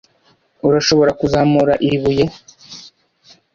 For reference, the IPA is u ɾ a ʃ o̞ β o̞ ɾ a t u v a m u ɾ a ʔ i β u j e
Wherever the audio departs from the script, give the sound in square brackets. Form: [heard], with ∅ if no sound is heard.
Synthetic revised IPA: u ɾ a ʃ o̞ β o̞ ɾ a [k] u [z] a m u ɾ a ʔ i β u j e